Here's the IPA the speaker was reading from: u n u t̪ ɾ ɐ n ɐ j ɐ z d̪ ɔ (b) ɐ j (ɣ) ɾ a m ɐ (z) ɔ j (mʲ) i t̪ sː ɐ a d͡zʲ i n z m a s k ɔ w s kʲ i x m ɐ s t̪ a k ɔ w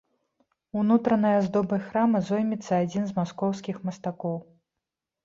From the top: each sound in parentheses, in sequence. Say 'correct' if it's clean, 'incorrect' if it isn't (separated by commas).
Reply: correct, incorrect, correct, correct